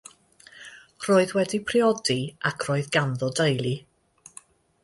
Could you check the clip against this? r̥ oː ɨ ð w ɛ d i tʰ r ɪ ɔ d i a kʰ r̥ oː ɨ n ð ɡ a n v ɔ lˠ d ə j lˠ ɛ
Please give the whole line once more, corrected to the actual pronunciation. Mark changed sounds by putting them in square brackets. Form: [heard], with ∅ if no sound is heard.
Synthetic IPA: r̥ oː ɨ ð w ɛ d i [pʰ] r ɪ ɔ d i a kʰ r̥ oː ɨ [∅] ð ɡ a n [ð] ɔ [∅] d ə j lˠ [i]